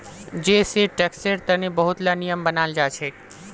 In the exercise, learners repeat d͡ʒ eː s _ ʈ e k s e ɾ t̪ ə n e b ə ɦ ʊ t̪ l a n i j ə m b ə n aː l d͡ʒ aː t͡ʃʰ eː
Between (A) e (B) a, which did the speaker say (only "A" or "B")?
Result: A